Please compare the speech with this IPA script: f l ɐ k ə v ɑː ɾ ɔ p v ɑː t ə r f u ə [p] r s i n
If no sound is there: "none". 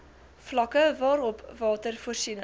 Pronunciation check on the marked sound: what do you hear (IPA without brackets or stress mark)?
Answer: none